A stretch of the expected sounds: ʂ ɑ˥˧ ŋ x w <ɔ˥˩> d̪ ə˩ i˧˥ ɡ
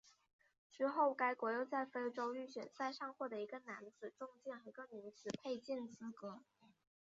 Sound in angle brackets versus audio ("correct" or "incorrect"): correct